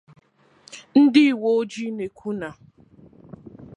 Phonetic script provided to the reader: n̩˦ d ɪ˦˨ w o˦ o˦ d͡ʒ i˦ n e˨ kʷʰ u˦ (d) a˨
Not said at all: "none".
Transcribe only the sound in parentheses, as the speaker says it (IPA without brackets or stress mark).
n